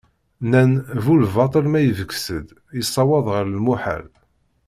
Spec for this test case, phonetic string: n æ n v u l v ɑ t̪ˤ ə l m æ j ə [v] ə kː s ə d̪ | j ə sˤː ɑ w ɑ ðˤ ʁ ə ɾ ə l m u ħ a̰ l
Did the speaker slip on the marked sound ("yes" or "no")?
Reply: no